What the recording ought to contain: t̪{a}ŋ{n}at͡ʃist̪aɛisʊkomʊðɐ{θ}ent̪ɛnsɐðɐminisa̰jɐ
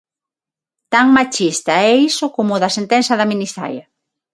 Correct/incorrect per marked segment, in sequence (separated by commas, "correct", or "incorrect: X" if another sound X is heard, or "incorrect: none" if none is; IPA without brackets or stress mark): correct, incorrect: m, incorrect: s